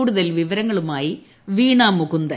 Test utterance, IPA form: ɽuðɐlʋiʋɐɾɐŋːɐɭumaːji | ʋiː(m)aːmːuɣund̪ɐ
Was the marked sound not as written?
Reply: yes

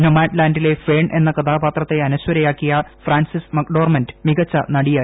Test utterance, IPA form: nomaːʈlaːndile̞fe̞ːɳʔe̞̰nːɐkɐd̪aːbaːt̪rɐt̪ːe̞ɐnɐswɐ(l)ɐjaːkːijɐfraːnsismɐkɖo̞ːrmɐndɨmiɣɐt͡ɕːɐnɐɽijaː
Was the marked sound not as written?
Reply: yes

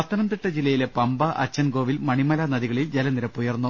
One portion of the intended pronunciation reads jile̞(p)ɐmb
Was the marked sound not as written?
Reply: no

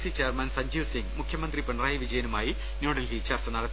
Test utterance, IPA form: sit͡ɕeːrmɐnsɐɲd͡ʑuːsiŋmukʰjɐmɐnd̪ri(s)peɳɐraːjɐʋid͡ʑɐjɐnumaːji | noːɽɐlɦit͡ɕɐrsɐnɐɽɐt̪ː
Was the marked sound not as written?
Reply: yes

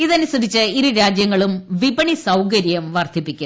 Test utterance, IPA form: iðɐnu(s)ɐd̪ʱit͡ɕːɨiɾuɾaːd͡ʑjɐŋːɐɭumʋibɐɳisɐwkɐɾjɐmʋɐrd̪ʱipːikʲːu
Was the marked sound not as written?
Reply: no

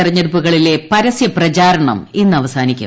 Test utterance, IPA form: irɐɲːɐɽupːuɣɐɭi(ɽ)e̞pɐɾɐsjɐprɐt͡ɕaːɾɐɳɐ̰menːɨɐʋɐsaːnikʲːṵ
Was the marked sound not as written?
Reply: yes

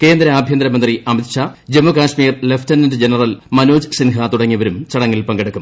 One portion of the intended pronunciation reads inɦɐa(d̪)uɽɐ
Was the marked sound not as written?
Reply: yes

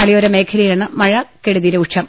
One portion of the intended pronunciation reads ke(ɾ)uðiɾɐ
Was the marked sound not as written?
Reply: yes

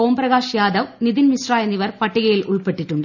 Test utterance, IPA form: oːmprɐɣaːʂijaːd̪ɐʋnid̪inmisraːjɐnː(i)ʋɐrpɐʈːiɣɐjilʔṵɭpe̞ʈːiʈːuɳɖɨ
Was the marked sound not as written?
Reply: no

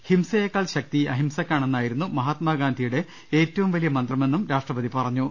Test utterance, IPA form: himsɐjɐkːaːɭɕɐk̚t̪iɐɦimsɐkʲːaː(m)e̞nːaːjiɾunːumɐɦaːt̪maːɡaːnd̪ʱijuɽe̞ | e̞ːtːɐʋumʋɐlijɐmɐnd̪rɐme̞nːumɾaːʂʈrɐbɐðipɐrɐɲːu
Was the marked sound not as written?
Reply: yes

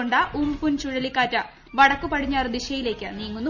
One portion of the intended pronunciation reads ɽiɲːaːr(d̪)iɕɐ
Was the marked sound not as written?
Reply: no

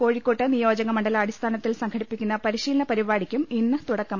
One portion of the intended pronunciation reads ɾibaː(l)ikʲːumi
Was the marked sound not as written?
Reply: yes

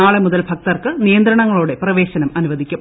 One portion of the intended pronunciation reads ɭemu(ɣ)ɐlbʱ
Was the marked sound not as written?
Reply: yes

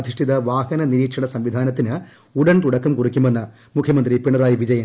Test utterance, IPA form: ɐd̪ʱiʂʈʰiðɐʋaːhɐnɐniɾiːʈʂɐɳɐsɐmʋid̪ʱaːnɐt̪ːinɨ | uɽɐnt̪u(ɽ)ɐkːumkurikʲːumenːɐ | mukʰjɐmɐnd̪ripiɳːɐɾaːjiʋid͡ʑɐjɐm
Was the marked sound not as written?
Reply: no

